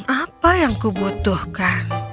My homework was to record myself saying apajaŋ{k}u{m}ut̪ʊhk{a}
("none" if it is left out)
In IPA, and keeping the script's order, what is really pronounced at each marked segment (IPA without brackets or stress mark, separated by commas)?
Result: k, b, a